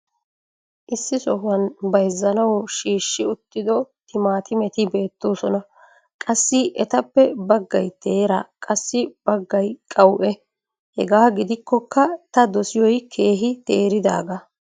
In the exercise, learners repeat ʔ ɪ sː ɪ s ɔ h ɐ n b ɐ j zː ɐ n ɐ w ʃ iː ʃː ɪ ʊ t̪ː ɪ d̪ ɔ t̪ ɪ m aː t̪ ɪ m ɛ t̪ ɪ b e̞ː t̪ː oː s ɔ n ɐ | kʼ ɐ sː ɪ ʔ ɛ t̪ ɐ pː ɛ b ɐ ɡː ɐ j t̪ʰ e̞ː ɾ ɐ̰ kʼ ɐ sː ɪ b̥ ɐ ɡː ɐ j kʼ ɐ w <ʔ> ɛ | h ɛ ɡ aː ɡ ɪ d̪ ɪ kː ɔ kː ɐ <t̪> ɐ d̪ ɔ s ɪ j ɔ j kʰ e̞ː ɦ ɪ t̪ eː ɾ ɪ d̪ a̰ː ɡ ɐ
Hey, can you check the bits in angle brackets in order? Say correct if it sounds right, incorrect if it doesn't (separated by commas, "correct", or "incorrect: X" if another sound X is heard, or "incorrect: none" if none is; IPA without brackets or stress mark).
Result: correct, correct